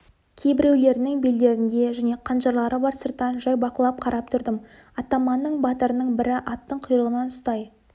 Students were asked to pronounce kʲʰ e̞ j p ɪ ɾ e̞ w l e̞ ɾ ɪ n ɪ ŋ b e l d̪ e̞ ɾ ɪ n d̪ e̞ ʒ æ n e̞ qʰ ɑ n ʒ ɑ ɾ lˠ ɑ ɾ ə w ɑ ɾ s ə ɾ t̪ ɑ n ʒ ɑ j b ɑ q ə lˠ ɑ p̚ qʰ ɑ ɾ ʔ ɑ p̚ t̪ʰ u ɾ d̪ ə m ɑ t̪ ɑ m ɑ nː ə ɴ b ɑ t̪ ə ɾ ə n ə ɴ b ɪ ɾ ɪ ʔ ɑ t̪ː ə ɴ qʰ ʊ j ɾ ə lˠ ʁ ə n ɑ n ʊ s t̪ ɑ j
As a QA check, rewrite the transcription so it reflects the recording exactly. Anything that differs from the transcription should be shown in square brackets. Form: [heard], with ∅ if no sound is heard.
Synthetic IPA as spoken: kʲʰ e̞ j [b] ɪ ɾ e̞ w l e̞ ɾ ɪ n ɪ ŋ b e l d̪ e̞ ɾ ɪ n d̪ e̞ ʒ æ n e̞ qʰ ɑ n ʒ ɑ ɾ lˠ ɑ ɾ ə [b] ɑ ɾ s ə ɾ t̪ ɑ n ʒ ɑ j b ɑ q ə lˠ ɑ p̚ qʰ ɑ ɾ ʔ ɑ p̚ t̪ʰ [ʊ] ɾ d̪ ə m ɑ t̪ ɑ m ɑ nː ə ɴ b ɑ t̪ ə ɾ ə n ə ɴ b ɪ ɾ ɪ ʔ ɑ t̪ː ə ɴ qʰ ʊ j ɾ ə [∅] ʁ ə n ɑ n ʊ s t̪ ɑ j